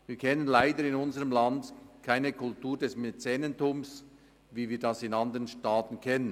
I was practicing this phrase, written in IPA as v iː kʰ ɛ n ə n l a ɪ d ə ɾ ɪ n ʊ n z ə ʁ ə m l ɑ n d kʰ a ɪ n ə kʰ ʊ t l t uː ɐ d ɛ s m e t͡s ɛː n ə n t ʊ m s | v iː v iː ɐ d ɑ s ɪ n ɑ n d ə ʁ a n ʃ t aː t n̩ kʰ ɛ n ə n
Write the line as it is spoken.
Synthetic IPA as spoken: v iː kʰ ɛ n ə n l a ɪ d ə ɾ ɪ n ʊ n z ə ʁ ə m l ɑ n d kʰ a ɪ n ə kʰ ʊ l t uː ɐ d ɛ s m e t͡s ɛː n ə n t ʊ m s | v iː v iː ɐ d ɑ s ɪ n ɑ n d ə ʁ ə n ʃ t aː t n̩ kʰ ɛ n ə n